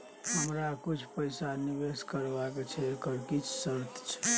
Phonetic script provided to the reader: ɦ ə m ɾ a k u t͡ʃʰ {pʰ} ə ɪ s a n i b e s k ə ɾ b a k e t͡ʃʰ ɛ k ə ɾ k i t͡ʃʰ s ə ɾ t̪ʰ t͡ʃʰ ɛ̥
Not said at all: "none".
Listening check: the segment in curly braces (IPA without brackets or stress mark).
p